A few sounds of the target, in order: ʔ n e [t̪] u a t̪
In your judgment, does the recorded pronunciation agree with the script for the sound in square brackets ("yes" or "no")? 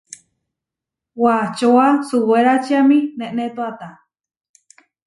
yes